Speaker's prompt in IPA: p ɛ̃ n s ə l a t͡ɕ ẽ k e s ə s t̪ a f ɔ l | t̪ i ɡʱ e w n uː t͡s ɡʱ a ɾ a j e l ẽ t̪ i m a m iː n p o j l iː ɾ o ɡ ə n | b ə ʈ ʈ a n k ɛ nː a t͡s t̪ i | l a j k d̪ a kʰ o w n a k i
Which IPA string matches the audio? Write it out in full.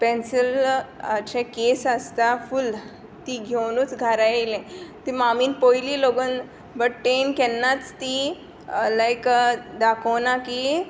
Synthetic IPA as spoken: p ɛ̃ n s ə l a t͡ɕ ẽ k e s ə s t̪ a f u l | t̪ i ɡʱ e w n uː t͡s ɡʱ a ɾ a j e l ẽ t̪ i m a m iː n p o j l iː l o ɡ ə n | b ə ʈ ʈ e n k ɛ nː a t͡s t̪ i | l a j k d̪ a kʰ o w n a k i